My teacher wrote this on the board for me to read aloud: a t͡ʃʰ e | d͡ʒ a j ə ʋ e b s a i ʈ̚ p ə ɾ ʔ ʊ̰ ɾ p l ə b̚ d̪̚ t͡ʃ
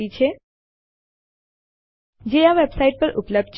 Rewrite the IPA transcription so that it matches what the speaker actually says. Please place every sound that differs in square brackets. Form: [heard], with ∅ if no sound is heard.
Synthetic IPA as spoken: [i] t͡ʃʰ e | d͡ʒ [e] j [a] ʋ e b s a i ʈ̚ p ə ɾ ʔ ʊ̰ [∅] p l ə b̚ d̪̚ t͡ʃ